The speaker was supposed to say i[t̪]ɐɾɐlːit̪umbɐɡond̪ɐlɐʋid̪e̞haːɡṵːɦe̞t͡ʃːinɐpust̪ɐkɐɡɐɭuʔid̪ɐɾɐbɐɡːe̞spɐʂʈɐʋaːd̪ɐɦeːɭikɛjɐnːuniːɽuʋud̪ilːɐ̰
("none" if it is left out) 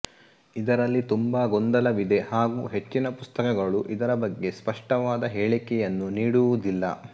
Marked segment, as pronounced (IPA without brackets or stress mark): d̪